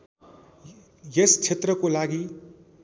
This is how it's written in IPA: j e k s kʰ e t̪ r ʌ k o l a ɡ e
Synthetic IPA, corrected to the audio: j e s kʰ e t̪ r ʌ k o l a ɡ i